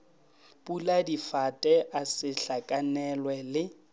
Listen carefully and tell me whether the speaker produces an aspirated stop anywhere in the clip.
no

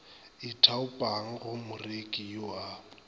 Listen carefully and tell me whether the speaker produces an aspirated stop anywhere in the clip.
yes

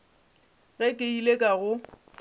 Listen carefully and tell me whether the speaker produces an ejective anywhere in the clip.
yes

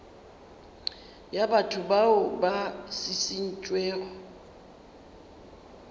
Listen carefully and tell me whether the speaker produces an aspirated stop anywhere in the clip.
yes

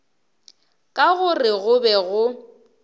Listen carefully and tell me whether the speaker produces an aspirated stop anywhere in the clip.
no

